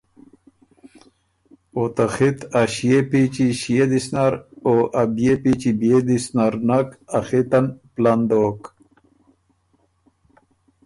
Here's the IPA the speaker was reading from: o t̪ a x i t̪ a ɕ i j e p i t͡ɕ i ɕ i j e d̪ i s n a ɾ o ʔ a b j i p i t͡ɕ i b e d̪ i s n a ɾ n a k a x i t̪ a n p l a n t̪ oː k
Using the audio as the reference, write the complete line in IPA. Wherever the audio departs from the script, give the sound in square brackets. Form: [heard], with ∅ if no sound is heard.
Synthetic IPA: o t̪ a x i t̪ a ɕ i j e p i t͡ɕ i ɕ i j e d̪ i s n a ɾ o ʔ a b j [e] p i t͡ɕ i b e d̪ i s n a ɾ n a k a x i t̪ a n p l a n [d̪] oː k

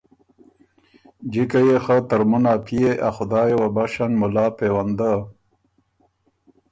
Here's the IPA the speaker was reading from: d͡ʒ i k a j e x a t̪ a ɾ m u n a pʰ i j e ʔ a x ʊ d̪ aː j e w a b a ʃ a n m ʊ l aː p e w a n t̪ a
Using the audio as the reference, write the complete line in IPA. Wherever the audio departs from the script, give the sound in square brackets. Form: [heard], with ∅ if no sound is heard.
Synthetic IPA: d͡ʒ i k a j e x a t̪ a ɾ m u n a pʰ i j e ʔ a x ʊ d̪ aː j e w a b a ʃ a n m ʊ l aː p e w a n [d̪] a

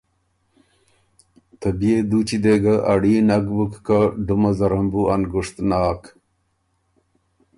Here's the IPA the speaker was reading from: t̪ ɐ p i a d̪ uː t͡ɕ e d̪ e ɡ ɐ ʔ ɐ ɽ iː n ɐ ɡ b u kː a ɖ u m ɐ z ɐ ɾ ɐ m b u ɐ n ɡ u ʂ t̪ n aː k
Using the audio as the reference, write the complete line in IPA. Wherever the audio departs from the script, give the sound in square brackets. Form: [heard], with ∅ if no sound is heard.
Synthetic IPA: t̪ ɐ [b] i [e] d̪ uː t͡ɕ [i] d̪ e ɡ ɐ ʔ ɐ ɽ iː n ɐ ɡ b u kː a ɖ u m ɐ z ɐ ɾ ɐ m b u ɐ n ɡ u ʂ t̪ n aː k

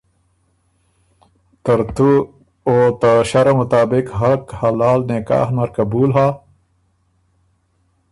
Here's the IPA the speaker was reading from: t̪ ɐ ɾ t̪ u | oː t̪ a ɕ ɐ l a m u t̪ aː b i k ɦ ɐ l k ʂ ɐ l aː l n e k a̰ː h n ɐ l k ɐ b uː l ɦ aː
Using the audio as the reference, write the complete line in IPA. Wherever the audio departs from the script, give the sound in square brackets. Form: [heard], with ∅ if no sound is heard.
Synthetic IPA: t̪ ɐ ɾ t̪ u | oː t̪ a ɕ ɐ [ɾ] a m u t̪ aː b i k ɦ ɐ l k [h] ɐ l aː l n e k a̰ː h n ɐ [ɾ] k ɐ b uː l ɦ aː

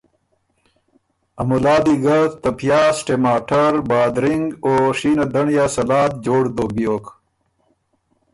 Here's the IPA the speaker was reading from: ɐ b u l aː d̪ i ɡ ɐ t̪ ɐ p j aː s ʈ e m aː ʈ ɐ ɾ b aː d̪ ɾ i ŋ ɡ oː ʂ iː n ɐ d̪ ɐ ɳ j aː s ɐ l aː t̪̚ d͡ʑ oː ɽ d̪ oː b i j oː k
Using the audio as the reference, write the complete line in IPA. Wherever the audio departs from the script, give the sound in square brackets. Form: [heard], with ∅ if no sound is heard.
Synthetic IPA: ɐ [m] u l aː d̪ i ɡ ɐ t̪ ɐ p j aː s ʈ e m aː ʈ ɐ ɾ b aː d̪ ɾ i ŋ ɡ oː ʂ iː n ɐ d̪ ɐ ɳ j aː s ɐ l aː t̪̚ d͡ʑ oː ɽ d̪ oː b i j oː k

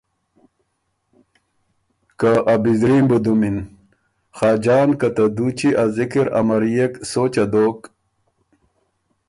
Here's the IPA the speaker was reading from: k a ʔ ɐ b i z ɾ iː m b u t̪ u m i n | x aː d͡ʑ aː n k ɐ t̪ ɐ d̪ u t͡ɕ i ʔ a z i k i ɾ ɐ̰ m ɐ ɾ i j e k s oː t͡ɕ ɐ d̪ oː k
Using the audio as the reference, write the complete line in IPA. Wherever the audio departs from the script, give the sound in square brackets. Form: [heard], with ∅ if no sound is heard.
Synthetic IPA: k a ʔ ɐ b i z ɾ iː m b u [d̪] u m i n | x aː d͡ʑ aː n k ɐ t̪ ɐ d̪ u t͡ɕ i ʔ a z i k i ɾ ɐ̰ m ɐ ɾ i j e k s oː t͡ɕ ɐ d̪ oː k

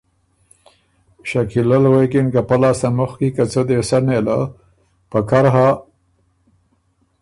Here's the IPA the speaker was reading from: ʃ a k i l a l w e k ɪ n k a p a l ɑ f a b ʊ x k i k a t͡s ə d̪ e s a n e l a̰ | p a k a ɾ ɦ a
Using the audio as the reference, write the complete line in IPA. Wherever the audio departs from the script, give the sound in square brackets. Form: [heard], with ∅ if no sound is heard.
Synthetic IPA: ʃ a k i l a l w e k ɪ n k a p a l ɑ [s] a [m] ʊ x k i k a t͡s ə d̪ e s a n e l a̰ | p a k a ɾ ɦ a

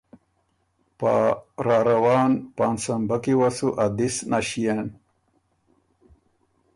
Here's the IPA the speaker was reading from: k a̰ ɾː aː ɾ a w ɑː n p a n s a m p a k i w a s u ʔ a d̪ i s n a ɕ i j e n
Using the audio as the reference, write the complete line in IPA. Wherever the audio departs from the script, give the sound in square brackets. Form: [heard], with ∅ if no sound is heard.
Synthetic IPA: [p] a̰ [ɾ] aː ɾ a w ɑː n p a n s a m [b] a k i w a s u ʔ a d̪ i s n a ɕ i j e n

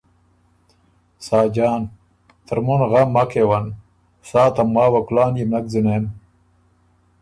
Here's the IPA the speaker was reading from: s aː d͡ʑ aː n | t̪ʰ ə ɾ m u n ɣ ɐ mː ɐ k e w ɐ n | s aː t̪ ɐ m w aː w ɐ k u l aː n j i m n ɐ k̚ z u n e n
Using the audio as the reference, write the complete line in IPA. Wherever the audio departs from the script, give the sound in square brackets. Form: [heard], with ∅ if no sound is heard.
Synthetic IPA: s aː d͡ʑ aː n | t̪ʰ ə ɾ m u n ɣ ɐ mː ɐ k e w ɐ n | s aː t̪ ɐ m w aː w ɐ k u l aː n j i m n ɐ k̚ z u n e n

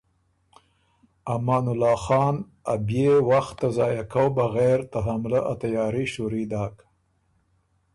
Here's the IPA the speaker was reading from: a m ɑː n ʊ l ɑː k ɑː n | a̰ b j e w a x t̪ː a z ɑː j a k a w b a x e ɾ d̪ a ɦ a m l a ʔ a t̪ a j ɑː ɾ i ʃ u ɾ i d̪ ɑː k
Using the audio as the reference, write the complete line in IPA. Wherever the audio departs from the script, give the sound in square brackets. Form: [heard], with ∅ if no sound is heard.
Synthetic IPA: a m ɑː n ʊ l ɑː [x] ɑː n | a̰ b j e w a x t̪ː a z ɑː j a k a w b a [ɣ] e ɾ [t̪] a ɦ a m l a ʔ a t̪ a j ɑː ɾ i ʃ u ɾ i d̪ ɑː k

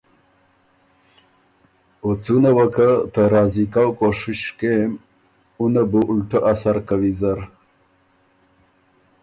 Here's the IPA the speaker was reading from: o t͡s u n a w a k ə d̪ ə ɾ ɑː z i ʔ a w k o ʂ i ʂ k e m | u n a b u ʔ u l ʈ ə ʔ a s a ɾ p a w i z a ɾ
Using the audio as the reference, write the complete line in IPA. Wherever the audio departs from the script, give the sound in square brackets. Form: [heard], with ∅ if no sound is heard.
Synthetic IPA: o t͡s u n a w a k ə [t̪] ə ɾ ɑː z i [k] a w k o ʂ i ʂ k e m | u n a b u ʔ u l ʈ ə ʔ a s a ɾ [k] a w i z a ɾ

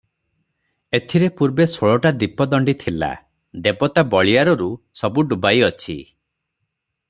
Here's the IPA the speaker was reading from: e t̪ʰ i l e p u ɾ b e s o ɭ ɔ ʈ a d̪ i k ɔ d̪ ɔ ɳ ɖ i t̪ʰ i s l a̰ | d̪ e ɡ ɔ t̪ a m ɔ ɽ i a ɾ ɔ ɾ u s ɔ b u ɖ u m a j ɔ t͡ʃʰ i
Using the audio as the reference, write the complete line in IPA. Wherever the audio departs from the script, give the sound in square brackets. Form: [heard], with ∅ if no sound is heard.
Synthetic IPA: e t̪ʰ i [ɾ] e p u ɾ b e s o ɭ ɔ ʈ a d̪ i [p] ɔ d̪ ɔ ɳ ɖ i t̪ʰ i [∅] l a̰ | d̪ e [b] ɔ t̪ a [b] ɔ [ɭ] i a ɾ ɔ ɾ u s ɔ b u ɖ u [b] a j ɔ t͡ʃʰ i

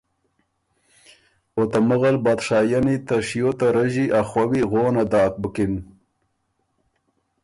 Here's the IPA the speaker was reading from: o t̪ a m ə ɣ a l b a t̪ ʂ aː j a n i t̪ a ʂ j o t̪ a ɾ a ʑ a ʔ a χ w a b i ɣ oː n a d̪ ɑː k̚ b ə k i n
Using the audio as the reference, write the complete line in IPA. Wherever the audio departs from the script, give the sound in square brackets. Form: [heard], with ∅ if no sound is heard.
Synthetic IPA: o t̪ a m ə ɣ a l b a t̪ ʂ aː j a n i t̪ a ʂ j o t̪ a ɾ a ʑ [i] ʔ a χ w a [w] i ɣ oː n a d̪ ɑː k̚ b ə k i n

